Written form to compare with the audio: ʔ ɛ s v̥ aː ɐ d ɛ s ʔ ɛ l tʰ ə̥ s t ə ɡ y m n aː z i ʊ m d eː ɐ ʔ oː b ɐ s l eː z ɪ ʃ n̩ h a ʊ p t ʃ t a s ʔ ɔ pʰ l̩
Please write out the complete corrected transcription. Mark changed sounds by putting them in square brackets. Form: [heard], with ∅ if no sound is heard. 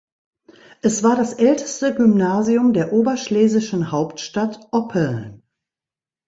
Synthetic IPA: ʔ ɛ s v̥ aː ɐ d [a] s ʔ ɛ l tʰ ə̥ s t ə ɡ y m n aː z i ʊ m d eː ɐ ʔ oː b ɐ [ʃ] l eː z ɪ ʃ n̩ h a ʊ p t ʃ t a [t] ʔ ɔ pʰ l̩